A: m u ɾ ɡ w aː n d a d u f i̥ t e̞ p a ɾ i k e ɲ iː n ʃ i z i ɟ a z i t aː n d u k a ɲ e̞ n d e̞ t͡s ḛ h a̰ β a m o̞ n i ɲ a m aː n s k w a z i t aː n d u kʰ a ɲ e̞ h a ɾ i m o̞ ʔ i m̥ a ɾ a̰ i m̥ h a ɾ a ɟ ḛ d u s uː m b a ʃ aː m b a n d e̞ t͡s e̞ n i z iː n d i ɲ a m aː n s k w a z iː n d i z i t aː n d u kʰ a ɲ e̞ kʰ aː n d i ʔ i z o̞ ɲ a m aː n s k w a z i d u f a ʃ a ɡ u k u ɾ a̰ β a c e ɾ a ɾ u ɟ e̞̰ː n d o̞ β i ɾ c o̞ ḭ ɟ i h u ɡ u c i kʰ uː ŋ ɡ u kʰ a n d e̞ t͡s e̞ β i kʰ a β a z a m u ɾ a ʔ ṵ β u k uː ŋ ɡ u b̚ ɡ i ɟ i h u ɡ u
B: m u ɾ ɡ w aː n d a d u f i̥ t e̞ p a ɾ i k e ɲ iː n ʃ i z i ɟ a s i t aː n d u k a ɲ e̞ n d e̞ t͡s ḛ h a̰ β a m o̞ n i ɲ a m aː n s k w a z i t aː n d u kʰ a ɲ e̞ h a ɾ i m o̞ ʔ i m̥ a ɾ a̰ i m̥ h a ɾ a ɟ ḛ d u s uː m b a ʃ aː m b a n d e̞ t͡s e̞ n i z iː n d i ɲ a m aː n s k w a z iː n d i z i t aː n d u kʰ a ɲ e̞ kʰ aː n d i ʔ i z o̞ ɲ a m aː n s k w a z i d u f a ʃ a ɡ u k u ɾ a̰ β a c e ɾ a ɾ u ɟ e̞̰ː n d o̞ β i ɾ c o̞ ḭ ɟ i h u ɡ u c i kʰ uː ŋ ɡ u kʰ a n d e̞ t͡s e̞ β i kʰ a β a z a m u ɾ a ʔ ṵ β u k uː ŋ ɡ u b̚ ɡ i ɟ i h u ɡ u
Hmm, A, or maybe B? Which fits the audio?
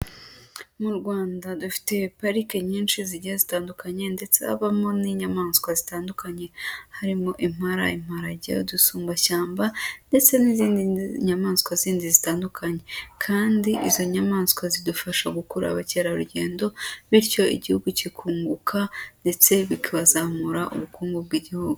A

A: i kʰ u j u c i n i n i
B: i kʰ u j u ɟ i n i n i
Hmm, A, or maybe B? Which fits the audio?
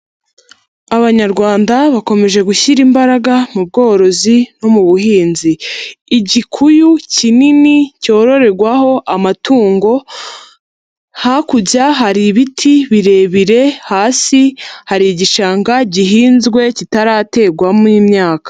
A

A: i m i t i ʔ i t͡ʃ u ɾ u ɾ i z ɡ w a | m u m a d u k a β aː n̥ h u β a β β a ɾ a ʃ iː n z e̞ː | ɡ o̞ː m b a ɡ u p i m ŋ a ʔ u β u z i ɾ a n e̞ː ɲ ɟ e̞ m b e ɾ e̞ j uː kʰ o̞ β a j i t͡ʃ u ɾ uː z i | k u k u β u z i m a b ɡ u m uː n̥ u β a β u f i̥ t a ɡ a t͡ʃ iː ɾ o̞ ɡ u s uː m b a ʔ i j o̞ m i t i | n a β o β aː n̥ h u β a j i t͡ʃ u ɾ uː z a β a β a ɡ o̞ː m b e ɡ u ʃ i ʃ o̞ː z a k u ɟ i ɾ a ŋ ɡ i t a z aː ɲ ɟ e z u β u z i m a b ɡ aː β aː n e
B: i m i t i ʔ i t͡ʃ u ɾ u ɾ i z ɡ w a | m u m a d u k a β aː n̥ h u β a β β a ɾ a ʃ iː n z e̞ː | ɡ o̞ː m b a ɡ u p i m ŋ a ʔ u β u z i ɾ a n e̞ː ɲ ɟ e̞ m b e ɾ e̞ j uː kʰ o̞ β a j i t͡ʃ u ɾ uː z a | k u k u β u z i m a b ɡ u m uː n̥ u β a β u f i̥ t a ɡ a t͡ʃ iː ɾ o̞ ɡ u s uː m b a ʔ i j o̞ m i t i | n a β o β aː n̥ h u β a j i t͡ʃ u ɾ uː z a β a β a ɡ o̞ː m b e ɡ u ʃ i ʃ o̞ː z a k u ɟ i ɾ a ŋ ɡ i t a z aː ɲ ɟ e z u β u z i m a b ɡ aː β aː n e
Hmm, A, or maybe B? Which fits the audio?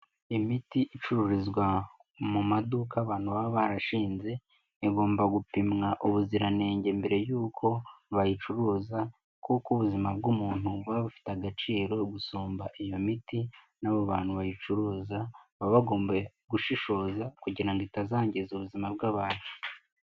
B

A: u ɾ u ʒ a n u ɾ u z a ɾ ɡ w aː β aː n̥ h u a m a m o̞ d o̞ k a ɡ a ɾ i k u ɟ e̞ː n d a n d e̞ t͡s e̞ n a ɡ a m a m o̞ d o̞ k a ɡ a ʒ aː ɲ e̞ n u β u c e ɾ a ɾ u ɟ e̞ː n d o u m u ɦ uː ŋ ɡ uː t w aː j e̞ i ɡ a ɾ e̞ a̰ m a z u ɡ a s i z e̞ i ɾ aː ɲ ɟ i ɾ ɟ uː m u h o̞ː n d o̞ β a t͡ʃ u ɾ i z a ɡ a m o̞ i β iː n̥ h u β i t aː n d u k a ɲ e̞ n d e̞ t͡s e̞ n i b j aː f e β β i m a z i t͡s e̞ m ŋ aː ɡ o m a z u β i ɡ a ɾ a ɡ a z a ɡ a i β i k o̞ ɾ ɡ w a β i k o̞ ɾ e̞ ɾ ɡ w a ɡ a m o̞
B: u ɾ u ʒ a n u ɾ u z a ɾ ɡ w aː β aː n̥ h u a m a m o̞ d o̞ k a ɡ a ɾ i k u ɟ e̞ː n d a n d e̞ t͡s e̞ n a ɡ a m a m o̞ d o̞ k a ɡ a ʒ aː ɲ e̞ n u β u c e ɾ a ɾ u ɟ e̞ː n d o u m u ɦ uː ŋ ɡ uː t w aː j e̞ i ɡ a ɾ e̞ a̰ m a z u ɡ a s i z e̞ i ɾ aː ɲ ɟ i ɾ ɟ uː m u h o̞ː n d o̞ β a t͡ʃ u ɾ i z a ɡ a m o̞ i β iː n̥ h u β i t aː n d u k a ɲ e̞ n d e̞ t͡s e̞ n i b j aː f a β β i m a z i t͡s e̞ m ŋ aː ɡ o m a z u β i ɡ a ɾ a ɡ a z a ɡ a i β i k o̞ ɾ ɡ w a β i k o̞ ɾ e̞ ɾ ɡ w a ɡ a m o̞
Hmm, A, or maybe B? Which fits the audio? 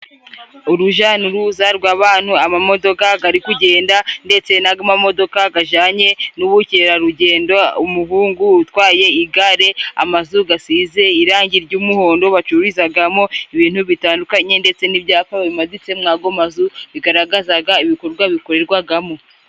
B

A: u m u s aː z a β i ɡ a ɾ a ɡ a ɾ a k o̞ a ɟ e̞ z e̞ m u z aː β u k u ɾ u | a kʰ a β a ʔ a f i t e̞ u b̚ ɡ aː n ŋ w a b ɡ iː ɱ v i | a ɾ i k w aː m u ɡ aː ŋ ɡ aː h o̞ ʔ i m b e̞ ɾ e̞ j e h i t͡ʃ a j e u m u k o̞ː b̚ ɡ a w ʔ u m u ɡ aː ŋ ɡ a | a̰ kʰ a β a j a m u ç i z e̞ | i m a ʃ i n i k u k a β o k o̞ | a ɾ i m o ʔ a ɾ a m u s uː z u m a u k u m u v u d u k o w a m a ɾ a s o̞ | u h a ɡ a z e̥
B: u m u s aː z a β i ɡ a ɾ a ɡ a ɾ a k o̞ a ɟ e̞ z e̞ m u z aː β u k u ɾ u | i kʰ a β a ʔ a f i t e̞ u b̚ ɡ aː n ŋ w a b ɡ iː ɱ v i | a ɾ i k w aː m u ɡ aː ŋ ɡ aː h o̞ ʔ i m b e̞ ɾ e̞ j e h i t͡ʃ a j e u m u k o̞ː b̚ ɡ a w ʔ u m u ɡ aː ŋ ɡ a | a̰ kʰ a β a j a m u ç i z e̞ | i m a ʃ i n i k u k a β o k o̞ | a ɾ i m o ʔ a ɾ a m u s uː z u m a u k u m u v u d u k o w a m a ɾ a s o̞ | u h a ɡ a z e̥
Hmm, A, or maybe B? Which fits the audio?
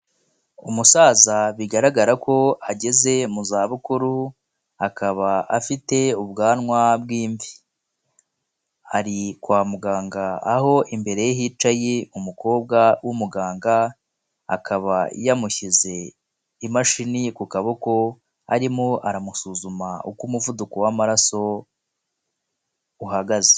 A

